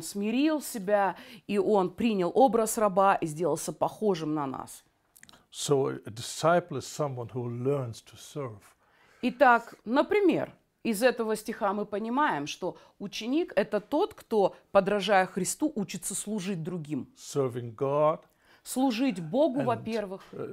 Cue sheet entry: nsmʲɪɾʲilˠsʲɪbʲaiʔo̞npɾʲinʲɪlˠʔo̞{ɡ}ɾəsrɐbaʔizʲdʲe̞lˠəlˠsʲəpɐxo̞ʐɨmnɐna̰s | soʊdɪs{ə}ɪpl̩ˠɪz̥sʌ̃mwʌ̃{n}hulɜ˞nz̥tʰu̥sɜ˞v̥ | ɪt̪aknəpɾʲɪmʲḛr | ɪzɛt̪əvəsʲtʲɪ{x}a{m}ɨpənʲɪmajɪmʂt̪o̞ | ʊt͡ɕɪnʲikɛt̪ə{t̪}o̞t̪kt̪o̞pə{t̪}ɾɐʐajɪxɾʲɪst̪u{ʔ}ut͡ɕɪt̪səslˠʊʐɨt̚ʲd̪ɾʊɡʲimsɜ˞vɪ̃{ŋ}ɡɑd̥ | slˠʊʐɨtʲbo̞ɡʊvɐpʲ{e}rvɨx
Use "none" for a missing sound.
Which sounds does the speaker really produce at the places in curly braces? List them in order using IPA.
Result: b, a, n, x, m, t̪, d̪, ʔ, ŋ, e

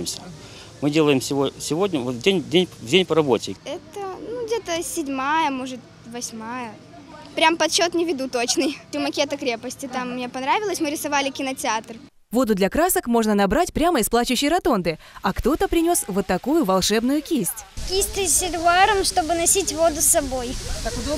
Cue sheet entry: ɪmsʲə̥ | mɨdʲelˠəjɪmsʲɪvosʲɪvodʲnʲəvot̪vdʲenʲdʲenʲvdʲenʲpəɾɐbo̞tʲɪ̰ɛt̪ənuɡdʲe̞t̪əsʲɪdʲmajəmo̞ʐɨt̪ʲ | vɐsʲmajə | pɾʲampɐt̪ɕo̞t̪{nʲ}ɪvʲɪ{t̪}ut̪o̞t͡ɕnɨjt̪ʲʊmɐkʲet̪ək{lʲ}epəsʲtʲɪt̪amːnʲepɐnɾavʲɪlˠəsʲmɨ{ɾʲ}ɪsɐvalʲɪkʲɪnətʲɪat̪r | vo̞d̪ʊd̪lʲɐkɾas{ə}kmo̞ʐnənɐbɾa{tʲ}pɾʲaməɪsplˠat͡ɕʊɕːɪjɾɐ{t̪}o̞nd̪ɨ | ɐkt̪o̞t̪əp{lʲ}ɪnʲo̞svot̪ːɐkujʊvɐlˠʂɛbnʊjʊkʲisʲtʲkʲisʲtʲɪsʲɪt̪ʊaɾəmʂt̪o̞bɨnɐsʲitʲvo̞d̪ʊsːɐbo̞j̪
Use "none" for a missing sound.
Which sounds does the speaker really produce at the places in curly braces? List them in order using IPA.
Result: nʲ, d̪, ɾʲ, ɾʲ, ə, tʲ, t̪, ɾʲ

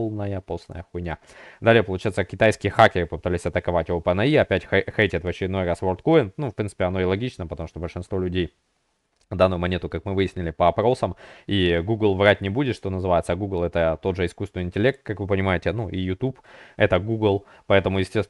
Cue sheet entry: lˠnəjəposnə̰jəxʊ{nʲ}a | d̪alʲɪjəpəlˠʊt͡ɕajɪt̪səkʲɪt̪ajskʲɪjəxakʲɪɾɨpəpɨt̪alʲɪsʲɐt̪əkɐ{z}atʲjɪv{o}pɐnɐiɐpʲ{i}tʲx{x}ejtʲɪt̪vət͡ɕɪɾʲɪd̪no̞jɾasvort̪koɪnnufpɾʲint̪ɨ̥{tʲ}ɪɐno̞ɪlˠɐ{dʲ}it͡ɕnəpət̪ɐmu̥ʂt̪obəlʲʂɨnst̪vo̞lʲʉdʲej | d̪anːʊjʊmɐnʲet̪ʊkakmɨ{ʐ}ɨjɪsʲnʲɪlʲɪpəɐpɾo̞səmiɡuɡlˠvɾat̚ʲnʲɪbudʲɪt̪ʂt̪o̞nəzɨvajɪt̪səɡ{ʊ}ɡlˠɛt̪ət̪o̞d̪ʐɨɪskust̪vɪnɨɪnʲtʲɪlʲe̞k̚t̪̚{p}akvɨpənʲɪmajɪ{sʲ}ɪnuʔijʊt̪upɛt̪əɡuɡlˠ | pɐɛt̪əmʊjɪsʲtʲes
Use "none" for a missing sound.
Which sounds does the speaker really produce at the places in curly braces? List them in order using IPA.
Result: nʲ, v, o, æ, x, pʲ, ɡʲ, v, u, k, tʲ

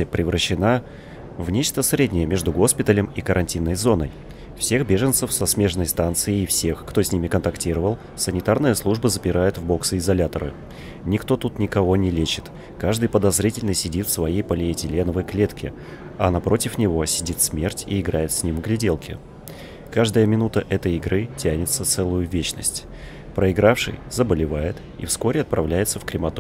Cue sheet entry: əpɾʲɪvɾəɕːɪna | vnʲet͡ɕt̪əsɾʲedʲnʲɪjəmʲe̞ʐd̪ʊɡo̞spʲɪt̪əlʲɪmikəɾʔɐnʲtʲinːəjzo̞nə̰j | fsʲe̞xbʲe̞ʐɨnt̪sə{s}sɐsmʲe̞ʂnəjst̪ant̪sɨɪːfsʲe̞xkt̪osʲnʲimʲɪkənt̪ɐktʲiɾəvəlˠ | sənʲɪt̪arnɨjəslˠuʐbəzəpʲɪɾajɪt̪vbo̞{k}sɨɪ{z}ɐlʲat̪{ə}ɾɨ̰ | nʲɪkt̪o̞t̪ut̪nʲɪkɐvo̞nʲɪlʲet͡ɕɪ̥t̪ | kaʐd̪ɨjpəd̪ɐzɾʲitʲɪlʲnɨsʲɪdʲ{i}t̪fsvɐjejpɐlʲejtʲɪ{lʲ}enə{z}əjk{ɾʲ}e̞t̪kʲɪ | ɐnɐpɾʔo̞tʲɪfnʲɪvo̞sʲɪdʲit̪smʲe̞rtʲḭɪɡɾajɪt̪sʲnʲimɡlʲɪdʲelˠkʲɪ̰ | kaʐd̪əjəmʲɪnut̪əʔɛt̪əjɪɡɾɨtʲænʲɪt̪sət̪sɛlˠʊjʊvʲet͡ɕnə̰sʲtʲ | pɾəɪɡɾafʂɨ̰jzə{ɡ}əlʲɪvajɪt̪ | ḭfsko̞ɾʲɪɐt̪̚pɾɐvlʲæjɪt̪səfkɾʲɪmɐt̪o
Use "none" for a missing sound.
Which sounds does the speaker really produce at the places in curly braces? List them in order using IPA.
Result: f, k, z, ə, i, lʲ, v, lʲ, b

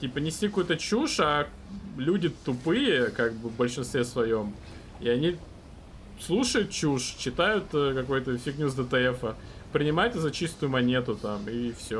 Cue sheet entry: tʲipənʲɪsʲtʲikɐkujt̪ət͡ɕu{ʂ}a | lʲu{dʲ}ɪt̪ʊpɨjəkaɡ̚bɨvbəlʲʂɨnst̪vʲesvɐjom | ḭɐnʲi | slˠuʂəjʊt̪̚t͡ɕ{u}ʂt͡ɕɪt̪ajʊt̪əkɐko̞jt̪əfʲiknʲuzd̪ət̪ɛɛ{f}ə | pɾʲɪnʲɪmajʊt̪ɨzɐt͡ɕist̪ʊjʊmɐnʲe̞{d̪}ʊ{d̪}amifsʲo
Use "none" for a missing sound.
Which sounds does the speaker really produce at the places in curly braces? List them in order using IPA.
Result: ʂ, dʲ, u, f, t̪, t̪

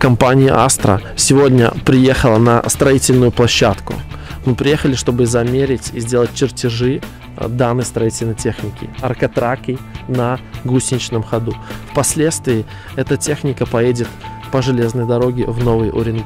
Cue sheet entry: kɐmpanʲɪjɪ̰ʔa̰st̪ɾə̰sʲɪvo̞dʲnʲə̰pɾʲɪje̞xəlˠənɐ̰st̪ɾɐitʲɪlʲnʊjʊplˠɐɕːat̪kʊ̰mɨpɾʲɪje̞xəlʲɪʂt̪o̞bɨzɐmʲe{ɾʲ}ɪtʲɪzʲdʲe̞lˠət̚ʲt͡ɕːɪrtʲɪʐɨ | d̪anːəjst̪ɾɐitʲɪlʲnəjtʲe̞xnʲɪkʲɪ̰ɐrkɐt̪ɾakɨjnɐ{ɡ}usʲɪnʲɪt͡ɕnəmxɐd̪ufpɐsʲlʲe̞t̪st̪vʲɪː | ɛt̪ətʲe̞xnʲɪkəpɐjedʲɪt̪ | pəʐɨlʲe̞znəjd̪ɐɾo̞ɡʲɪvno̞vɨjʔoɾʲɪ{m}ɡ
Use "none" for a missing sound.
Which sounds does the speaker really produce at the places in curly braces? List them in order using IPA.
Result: ɾʲ, ɡ, n

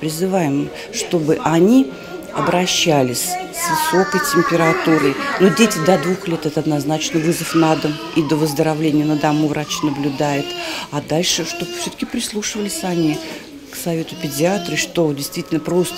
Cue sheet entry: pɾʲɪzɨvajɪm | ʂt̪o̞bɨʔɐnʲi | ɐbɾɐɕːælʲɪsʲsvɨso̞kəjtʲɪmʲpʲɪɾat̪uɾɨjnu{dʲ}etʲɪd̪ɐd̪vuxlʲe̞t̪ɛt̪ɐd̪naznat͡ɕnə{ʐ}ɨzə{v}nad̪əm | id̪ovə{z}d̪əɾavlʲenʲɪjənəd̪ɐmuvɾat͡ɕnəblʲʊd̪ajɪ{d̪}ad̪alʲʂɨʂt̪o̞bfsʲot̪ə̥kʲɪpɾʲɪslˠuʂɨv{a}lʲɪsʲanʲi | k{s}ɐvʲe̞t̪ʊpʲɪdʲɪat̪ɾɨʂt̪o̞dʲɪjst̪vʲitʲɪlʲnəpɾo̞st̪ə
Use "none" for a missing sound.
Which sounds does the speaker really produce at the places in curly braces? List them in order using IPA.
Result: dʲ, v, f, z, t̪, ə, s

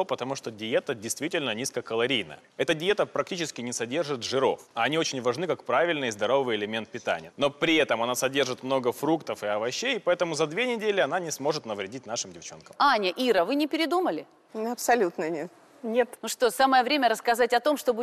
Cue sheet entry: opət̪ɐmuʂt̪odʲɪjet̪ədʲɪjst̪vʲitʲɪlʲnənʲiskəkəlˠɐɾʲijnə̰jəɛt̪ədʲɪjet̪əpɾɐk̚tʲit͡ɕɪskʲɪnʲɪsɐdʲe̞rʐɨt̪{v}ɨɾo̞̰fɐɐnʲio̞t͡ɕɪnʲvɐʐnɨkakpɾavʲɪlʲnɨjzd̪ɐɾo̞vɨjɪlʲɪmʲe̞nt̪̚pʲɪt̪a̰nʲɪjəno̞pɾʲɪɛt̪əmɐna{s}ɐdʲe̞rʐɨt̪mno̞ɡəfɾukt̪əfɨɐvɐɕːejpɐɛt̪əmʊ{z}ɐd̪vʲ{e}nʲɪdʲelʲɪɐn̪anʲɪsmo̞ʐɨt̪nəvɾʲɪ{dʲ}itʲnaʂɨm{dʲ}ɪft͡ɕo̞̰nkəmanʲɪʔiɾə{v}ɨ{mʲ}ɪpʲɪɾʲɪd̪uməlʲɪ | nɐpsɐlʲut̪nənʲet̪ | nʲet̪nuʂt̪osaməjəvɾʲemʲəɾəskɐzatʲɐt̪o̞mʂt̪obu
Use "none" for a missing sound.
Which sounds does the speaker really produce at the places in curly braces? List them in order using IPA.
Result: ʐ, s, z, e, dʲ, dʲ, v, nʲ

